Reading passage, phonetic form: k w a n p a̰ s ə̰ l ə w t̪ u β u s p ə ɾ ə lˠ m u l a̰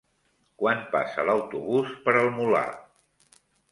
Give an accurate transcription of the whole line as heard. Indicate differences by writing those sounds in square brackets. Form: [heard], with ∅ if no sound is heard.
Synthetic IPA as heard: k w a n p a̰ s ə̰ l ə w t̪ u β u s p ə ɾ ə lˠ m u l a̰